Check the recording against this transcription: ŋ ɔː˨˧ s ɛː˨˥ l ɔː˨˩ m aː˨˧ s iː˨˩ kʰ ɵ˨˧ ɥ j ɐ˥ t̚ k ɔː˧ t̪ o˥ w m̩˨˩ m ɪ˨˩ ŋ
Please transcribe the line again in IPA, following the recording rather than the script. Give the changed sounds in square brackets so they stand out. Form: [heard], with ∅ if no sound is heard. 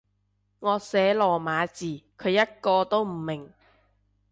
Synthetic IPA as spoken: ŋ ɔː˨˧ s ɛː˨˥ l ɔː˨˩ m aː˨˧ [t͡s] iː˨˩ kʰ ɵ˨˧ ɥ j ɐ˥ t̚ k ɔː˧ t̪ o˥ w m̩˨˩ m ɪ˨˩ ŋ